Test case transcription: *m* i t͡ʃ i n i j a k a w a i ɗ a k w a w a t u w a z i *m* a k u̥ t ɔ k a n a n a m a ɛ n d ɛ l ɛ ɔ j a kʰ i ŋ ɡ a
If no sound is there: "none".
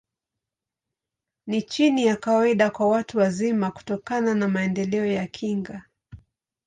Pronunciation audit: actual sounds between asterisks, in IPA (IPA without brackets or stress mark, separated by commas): n, m